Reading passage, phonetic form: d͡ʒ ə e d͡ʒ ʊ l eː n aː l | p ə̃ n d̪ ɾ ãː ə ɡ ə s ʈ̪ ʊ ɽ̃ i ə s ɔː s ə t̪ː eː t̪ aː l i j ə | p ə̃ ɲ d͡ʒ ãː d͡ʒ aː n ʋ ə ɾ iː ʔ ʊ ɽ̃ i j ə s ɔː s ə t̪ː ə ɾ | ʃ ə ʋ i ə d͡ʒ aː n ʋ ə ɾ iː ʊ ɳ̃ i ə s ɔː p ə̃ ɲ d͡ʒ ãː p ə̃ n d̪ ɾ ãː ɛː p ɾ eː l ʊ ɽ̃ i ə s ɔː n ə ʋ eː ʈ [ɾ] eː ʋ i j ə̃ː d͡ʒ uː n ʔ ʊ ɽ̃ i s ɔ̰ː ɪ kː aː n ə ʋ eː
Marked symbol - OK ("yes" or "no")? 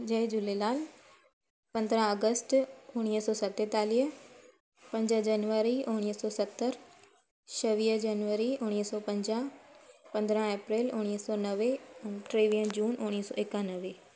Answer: yes